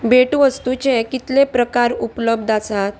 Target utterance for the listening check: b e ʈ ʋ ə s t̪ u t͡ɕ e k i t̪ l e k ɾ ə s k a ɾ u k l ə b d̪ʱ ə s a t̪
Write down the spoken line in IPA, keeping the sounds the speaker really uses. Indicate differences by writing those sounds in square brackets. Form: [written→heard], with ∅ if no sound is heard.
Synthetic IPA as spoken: b e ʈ ʋ ə s t̪ u t͡ɕ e k i t̪ l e [k→p] ɾ ə [s→∅] k a ɾ u [k→p] l ə b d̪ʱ [ə→a] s a t̪

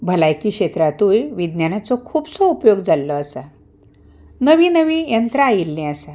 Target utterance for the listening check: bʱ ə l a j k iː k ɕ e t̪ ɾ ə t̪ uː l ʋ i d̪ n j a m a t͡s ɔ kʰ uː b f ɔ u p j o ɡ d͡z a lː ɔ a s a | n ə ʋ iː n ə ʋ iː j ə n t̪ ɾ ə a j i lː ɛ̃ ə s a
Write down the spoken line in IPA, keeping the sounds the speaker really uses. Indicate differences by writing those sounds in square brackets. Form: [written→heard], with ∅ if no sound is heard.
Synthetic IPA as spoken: bʱ ə l a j k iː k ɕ e t̪ ɾ [ə→a] t̪ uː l ʋ i d̪ n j a [m→n] a t͡s ɔ kʰ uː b [f→s] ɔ u p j o ɡ d͡z a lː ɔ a s a | n ə ʋ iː n ə ʋ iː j ə n t̪ ɾ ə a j i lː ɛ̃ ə s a

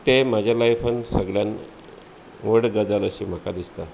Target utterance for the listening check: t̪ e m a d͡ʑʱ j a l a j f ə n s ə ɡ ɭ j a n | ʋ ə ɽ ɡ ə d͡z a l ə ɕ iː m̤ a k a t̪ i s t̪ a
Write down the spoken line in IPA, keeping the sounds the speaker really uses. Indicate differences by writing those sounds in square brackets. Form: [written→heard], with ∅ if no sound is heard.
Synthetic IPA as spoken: t̪ e m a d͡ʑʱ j a l a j f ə n s ə ɡ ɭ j a n | ʋ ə ɽ ɡ ə d͡z a l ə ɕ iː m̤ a k a [t̪→d̪] i s t̪ a

